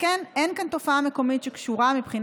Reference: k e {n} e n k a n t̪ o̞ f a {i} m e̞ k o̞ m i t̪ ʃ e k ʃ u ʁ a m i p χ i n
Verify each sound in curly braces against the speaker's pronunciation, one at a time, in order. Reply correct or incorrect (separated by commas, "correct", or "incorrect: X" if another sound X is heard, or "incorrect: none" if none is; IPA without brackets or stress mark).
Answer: correct, incorrect: a